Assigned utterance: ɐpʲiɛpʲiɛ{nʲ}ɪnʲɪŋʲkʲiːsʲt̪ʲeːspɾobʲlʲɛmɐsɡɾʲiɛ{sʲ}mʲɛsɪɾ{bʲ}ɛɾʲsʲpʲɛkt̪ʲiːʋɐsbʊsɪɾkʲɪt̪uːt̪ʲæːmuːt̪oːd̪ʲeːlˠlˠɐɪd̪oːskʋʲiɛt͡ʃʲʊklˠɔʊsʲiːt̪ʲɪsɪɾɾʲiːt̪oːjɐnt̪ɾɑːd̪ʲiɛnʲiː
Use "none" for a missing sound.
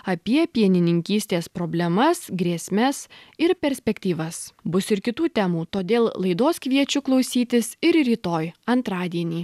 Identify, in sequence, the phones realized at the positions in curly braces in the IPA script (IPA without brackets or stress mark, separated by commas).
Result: nʲ, sʲ, pʲ